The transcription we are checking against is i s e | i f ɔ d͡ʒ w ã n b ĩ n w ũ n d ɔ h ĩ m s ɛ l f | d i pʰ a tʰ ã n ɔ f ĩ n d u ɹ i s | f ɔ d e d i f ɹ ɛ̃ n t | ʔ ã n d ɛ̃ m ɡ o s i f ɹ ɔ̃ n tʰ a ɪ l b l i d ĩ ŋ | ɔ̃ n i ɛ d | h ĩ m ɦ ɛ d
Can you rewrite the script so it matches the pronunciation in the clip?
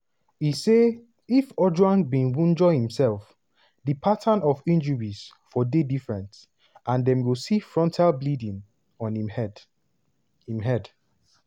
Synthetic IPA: i s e | i f ɔ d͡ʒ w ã n b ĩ n w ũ n d͡ʒ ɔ h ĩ m s ɛ l f | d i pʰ a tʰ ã n ɔ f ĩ n d͡ʒ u ɹ i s | f ɔ d e d i f ɹ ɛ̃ n t | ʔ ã n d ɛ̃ m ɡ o s i f ɹ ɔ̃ n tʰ a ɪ l b l i d ĩ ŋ | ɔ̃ n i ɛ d | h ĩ m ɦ ɛ d